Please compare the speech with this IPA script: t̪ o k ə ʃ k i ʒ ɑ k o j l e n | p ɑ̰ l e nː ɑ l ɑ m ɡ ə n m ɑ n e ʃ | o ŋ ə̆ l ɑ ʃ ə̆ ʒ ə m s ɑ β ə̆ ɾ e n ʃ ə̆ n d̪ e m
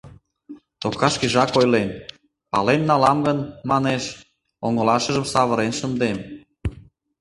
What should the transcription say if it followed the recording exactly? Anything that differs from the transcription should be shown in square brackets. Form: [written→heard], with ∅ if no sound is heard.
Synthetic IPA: t̪ o k [ə→ɑ] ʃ k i ʒ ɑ k o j l e n | p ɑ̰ l e nː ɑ l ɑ m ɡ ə n m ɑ n e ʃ | o ŋ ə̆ l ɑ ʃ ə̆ ʒ ə m s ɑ β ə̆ ɾ e n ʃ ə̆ n d̪ e m